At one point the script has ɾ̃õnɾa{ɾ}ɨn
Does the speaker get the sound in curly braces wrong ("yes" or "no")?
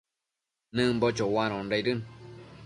no